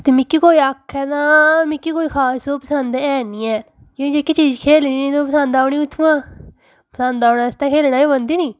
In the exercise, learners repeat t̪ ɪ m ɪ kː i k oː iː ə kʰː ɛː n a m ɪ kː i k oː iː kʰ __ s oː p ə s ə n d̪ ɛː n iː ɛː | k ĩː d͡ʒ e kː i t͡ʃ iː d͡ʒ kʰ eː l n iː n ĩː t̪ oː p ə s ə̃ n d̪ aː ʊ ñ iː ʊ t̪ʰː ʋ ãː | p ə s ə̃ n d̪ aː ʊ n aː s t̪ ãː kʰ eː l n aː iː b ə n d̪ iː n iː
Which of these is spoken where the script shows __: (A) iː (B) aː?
B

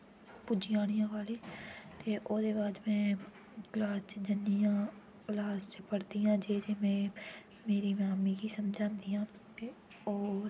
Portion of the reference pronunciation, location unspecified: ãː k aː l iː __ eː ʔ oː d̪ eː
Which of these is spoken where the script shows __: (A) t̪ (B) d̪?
A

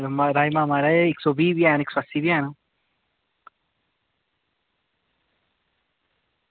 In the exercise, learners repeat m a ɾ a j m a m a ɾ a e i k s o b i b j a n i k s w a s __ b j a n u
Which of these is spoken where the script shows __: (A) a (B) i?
B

